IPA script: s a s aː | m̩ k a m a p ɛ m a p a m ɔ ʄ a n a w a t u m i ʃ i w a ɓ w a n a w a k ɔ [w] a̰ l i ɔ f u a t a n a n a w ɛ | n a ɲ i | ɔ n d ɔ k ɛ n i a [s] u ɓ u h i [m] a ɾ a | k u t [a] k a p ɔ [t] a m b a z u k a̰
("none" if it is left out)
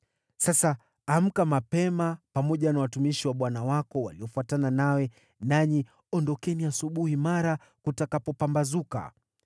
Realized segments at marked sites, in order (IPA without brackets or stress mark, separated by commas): w, s, m, a, p